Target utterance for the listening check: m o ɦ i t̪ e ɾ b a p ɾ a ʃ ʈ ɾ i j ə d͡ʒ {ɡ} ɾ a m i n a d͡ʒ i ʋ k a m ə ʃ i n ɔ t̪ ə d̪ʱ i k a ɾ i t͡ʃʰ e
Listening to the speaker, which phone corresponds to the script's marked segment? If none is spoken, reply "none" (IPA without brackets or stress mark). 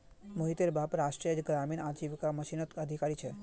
ɡ